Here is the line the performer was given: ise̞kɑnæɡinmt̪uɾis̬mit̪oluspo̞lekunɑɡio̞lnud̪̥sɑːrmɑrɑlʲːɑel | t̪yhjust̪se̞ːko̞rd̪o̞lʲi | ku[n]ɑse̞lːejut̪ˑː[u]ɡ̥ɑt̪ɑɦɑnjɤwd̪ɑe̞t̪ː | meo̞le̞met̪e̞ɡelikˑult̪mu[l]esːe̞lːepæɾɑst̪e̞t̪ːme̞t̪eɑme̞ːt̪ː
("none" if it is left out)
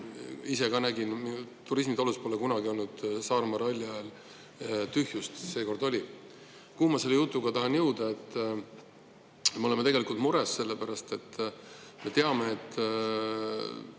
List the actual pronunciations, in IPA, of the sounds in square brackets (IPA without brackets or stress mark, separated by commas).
m, u, ɾ